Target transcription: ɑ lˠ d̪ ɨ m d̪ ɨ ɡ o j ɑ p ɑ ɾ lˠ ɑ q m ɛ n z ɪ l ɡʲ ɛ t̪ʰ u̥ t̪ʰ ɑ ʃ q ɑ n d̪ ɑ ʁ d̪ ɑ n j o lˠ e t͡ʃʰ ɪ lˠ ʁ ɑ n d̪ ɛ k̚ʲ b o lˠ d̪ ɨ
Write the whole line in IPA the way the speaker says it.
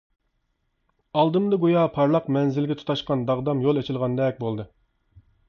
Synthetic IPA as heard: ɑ lˠ d̪ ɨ m d̪ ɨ ɡ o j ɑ pʰ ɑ ɾ lˠ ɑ q m ɛ n z ɪ l ɡʲ ɛ t̪ʰ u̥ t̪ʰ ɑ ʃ q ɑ n d̪ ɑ ʁ d̪ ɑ m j o lˠ e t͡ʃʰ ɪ lˠ ʁ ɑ n d̪ ɛ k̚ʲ b o lˠ d̪ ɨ

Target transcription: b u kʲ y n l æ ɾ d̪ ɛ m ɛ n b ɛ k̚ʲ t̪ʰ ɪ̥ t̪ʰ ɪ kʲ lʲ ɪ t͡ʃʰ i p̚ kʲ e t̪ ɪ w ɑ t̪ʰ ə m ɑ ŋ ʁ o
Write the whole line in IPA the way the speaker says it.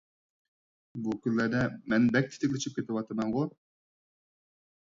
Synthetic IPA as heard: b u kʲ y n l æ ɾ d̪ ɛ m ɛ n b ɛ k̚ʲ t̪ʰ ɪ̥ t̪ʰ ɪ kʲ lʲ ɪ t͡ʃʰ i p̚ kʲ e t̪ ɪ w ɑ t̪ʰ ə m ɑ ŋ ʁ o

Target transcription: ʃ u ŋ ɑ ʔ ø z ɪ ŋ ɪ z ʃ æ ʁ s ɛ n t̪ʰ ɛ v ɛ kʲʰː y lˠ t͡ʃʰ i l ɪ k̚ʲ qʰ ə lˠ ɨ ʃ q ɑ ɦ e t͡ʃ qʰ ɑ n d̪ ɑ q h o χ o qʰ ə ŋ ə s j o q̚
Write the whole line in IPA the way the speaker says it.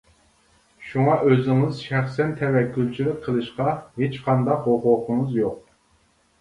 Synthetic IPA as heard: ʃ u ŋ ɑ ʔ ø z ɪ ŋ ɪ z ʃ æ χ s ɛ n t̪ʰ ɛ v ɛ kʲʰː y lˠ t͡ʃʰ i l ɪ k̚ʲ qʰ ə lˠ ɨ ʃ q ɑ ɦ e t͡ʃ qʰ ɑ n d̪ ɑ q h o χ o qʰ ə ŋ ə z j o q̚

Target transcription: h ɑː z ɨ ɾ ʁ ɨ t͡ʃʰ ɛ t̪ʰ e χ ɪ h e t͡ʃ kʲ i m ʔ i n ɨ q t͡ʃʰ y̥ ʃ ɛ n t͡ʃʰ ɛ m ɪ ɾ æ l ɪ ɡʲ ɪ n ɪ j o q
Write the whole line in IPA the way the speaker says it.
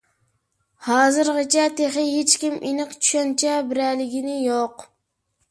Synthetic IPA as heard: h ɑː z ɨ ɾ ʁ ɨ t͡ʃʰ ɛ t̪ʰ e χ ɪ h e t͡ʃ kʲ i m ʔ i n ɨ q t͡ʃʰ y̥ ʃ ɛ n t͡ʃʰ ɛ b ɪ ɾ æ l ɪ ɡʲ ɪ n ɪ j o q

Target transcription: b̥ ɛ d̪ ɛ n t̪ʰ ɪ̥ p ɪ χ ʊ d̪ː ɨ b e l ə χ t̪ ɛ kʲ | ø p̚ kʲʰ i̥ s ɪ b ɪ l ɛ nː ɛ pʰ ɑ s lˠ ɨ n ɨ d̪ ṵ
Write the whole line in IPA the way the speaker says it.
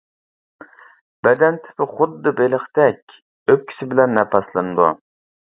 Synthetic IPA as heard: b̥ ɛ d̪ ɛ n t̪ʰ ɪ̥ p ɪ χ ʊ d̪ː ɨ b e l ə χ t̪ ɛ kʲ | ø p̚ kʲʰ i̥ s ɪ b ɪ l ɛ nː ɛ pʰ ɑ s lˠ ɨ n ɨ d̪ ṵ

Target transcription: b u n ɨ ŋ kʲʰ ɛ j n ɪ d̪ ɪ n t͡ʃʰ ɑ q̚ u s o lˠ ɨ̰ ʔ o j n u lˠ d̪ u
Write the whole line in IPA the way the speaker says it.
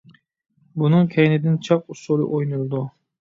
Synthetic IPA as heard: b u n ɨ ŋ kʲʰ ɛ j n ɪ d̪ ɪ n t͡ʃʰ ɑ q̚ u s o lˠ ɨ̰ ʔ o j n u lˠ d̪ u

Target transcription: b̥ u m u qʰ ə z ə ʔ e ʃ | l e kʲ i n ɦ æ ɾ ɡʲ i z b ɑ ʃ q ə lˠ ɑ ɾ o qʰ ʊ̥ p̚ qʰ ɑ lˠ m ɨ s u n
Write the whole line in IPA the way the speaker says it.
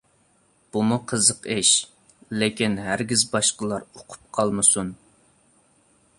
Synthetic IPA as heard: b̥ u m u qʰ ə z ə q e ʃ | l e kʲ i n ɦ æ ɾ ɡʲ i z b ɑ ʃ q ə lˠ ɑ ɾ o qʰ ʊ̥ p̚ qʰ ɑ lˠ m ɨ s u n

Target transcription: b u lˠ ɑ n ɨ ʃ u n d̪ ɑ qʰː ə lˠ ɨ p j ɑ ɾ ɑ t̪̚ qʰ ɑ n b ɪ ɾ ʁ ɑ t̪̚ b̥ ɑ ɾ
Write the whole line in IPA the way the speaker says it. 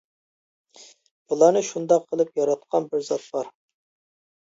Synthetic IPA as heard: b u lˠ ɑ n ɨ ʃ u n d̪ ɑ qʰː ə lˠ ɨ p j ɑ ɾ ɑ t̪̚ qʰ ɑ n b ɪ ɾ z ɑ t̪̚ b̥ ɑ ɾ

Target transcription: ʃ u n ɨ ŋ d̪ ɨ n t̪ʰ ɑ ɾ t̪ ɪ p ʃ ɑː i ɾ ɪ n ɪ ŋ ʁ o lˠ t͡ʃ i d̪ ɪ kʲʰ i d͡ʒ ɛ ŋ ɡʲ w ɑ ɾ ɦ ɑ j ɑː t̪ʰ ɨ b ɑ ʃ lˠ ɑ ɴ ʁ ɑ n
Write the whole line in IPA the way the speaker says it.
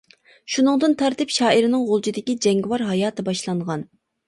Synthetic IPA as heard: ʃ u n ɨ ŋ d̪ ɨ n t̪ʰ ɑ ɾ t̪ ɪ p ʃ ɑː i ɾ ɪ n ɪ ŋ ʁ o lˠ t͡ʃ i d̪ ɪ kʲ i d͡ʒ ɛ ŋ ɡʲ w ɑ ɾ ɦ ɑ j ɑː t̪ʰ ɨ b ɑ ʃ lˠ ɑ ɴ ʁ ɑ n

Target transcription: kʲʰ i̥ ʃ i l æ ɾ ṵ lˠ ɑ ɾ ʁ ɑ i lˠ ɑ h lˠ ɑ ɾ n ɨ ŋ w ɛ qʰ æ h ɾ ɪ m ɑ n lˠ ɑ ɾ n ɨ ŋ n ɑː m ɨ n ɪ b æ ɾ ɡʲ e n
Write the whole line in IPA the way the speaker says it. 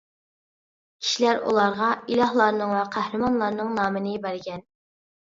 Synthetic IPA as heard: kʲʰ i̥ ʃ i l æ ɾ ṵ lˠ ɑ ɾ ʁ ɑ i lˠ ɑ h lˠ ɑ ɾ n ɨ ŋ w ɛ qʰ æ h ɾ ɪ m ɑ n lˠ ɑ ɾ n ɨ ŋ n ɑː m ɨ n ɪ b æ ɾ ɡʲ ɛ n

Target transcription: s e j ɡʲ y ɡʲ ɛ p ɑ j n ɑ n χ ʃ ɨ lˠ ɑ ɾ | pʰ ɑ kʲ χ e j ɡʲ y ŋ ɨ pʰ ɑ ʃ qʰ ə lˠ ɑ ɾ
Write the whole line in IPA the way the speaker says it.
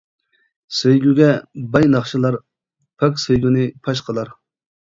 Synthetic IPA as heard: s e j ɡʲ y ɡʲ ɛ b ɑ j n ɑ χ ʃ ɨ lˠ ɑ ɾ | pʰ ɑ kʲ s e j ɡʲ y n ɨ pʰ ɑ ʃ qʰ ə lˠ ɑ ɾ

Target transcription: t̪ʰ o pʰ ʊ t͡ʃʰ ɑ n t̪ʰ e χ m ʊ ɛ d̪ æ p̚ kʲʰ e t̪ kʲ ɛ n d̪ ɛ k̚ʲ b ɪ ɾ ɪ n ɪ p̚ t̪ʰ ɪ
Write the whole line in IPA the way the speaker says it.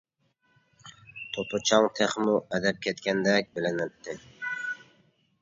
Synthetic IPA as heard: t̪ʰ o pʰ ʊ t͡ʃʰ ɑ ŋ t̪ʰ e χ m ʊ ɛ d̪ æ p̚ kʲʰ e t̪ kʲ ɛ n d̪ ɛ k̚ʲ b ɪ l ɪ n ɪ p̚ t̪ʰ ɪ

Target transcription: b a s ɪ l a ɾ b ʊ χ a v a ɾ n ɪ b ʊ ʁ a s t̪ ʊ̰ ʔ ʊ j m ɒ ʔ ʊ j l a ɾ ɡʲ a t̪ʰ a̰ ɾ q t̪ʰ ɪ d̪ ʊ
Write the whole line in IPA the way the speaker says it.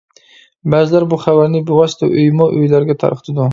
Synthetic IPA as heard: b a z ɪ l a ɾ b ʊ χ a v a ɾ n ɪ b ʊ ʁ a s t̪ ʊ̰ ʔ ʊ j m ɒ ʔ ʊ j l a ɾ ɡʲ a t̪ʰ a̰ ɾ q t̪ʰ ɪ d̪ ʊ

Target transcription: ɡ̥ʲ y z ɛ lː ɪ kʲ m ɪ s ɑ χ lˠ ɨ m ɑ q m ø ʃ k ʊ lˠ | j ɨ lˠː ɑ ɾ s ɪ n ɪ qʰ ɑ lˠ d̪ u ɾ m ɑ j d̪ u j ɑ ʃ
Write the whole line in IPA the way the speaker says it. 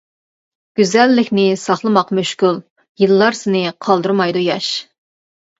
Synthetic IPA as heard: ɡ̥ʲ y z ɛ lː ɪ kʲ n ɪ s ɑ χ lˠ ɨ m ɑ q m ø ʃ k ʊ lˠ | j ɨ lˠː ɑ ɾ s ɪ n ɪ qʰ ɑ lˠ d̪ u ɾ m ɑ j d̪ u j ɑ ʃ

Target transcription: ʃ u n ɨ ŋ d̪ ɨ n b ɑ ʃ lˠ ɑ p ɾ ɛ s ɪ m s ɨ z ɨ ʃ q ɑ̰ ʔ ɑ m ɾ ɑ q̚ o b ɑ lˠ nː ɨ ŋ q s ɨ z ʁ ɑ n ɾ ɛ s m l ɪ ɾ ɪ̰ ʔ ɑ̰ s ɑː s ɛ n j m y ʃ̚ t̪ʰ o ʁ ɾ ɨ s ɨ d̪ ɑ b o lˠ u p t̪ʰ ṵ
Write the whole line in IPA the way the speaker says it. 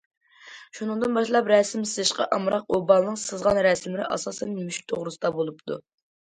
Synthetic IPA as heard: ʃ u n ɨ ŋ d̪ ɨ n b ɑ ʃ lˠ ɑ p ɾ ɛ s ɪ m s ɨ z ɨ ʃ q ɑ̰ ʔ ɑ m ɾ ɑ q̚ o b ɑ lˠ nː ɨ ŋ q s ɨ z ʁ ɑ n ɾ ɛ s m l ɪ ɾ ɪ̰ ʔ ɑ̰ s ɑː s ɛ n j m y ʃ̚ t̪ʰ o ʁ ɾ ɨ s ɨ d̪ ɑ b o lˠ u p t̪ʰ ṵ

